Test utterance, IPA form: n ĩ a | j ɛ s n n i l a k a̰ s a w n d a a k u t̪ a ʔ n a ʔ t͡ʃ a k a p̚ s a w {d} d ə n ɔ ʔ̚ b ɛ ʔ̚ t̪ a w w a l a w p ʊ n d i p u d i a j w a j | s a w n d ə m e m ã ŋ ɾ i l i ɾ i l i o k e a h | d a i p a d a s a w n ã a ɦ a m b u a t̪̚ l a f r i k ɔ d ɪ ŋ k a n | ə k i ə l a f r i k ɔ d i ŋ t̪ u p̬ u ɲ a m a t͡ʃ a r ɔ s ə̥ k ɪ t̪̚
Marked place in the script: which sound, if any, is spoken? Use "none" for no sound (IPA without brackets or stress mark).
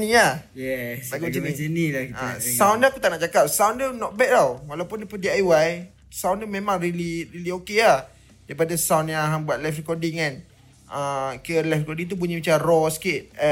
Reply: n